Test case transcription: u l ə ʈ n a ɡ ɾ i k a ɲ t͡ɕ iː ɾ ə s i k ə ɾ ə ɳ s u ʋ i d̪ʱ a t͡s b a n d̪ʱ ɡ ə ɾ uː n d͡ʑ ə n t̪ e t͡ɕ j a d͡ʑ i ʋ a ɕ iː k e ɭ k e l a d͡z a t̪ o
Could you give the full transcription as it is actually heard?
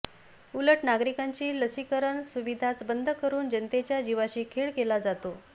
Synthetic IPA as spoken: u l ə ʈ n a ɡ ɾ i k a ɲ t͡ɕ iː l ə s i k ə ɾ ə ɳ s u ʋ i d̪ʱ a t͡s b ə n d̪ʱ k ə ɾ uː n d͡ʑ ə n t̪ e t͡ɕ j a d͡ʑ i ʋ a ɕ iː kʰ e ɭ k e l a d͡z a t̪ o

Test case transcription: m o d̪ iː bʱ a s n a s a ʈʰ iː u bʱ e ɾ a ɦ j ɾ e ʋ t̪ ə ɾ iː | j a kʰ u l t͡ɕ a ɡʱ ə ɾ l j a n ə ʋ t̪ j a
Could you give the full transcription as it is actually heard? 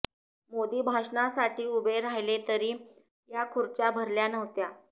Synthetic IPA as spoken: m o d̪ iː bʱ a ʂ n a s a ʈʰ iː u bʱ e ɾ a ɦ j l e t̪ ə ɾ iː | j a kʰ u ɾ t͡ɕ a bʱ ə ɾ l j a n ə ʋ t̪ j a

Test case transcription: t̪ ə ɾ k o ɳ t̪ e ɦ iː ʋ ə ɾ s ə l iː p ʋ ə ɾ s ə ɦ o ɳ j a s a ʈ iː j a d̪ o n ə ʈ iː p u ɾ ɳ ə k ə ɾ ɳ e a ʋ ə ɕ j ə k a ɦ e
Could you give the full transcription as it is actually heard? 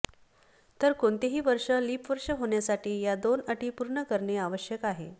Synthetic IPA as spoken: t̪ ə ɾ k o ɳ t̪ e ɦ iː ʋ ə ɾ ʂ ə l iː p ʋ ə ɾ ʂ ə ɦ o ɳ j a s a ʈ iː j a d̪ o n ə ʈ iː p u ɾ ɳ ə k ə ɾ ɳ e a ʋ ə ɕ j ə k a ɦ e

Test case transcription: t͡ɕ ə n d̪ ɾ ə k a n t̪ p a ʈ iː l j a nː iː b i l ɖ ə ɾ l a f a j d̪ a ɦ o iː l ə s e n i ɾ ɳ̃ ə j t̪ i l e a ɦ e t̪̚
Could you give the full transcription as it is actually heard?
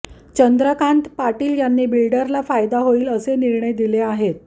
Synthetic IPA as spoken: t͡ɕ ə n d̪ ɾ ə k a n t̪ p a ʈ iː l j a nː iː b i l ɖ ə ɾ l a f a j d̪ a ɦ o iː l ə s e n i ɾ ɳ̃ ə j d̪ i l e a ɦ e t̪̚

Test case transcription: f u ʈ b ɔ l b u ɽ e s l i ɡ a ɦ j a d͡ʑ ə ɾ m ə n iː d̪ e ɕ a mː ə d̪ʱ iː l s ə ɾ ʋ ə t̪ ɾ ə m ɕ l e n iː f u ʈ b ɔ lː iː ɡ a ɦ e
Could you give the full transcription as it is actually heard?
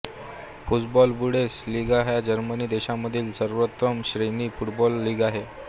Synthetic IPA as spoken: f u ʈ b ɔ l b u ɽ e s l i ɡ a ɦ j a d͡ʑ ə ɾ m ə n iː d̪ e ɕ a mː ə d̪ʱ iː l s ə ɾ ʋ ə t̪ ɾ ə m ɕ ɾ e n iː f u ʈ b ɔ lː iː ɡ a ɦ e

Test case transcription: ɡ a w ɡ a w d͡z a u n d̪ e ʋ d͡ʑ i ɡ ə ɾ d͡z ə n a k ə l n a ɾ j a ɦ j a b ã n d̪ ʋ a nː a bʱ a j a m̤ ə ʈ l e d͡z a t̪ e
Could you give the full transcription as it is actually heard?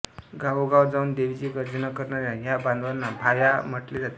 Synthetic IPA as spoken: ɡ a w ɡ a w d͡z a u n d̪ e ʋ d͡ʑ i ɡ ə ɾ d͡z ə n a k ə ɾ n a ɾ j a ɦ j a b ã n d̪ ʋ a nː a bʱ a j a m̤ ə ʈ l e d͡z a t̪ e

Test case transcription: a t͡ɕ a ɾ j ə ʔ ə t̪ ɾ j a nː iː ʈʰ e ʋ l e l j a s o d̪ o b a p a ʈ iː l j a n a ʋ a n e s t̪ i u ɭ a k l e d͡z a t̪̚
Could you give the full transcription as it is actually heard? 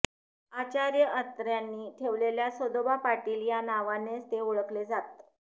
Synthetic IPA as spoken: a t͡ɕ a ɾ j ə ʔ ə t̪ ɾ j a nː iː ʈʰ e ʋ l e l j a s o d̪ o b a p a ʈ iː l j a n a ʋ a n e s t̪ e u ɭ ə k l e d͡z a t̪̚

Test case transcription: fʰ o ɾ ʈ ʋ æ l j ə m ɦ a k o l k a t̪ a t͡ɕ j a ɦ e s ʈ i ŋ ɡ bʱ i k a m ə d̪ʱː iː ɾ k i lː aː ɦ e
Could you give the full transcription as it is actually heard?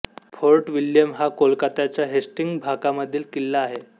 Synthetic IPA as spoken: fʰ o ɾ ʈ ʋ i l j ə m ɦ a k o l k a t̪ a t͡ɕ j a ɦ e s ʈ i ŋ ɡ bʱ a k a m ə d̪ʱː iː l k i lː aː ɦ e

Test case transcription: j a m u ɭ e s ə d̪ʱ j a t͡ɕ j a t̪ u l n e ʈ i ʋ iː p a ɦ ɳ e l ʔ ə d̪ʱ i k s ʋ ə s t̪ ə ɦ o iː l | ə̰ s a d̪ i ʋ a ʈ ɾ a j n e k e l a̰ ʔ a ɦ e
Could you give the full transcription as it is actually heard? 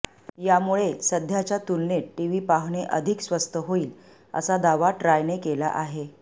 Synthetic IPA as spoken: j a m u ɭ e s ə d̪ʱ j a t͡ɕ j a t̪ u l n e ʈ i ʋ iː p a ɦ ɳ e ʔ ə d̪ʱ i k s ʋ ə s t̪ ə ɦ o iː l | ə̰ s a d̪ a ʋ a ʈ ɾ a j n e k e l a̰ ʔ a ɦ e

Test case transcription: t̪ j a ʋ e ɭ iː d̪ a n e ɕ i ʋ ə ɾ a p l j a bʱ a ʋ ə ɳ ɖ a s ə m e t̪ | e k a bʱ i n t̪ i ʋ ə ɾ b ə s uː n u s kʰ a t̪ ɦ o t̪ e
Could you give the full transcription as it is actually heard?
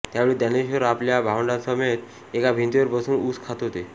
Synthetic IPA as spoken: t̪ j a ʋ e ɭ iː d̪ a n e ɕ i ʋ ə ɾ a p l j a bʱ a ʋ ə ɳ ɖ a s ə m e t̪ | e k a bʱ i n t̪ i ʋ ə ɾ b ə s uː n u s kʰ a t̪ ɦ o t̪ e

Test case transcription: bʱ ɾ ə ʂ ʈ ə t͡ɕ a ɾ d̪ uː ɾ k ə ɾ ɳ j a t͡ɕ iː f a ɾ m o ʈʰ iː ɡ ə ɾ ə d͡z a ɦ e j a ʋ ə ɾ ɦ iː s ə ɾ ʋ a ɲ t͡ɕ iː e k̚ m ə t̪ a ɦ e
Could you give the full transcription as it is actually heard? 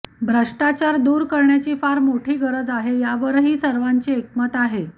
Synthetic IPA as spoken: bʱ ɾ ə ʂ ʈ a t͡ɕ a ɾ d̪ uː ɾ k ə ɾ ɳ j a t͡ɕ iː f a ɾ m o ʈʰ iː ɡ ə ɾ ə d͡z a ɦ e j a ʋ ə ɾ ɦ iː s ə ɾ ʋ a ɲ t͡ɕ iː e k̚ m ə t̪ a ɦ e

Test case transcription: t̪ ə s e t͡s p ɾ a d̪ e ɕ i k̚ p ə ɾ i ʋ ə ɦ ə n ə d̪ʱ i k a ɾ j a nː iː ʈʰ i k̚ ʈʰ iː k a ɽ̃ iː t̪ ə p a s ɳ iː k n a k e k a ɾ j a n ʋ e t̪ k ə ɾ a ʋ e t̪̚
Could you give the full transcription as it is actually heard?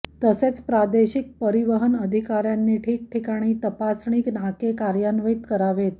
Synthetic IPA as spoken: t̪ ə s e t͡s p ɾ a d̪ e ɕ i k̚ p ə ɾ i ʋ ə ɦ ə n ə d̪ʱ i k a ɾ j a nː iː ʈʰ iː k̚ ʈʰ i k a ɽ̃ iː t̪ ə p a s ɳ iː k n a k e k a ɾ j a n ʋ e t̪ k ə ɾ a ʋ e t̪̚

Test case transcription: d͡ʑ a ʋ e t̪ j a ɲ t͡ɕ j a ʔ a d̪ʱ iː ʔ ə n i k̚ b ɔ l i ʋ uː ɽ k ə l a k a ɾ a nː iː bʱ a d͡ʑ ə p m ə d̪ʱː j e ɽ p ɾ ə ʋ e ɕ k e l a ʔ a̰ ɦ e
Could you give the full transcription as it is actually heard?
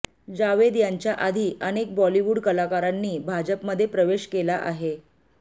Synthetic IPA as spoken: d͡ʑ a ʋ e d̪ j a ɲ t͡ɕ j a ʔ a d̪ʱ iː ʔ ə n e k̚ b ɔ l i ʋ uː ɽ k ə l a k a ɾ a nː iː bʱ a d͡ʑ ə p m ə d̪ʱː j e p ɾ ə ʋ e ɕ k e l a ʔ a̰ ɦ e

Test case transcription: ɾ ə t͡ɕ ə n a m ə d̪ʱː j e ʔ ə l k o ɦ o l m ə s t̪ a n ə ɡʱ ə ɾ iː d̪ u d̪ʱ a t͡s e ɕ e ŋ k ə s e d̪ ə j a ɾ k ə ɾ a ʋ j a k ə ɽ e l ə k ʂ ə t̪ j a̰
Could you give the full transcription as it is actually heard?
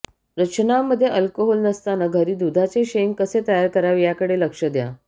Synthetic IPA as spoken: ɾ ə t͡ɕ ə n a m ə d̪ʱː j e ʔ ə l k o ɦ o l n ə s t̪ a n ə ɡʱ ə ɾ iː d̪ u d̪ʱ a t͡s e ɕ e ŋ k ə s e t̪ ə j a ɾ k ə ɾ a ʋ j a k ə ɽ e l ə k ʂ ə d̪ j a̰

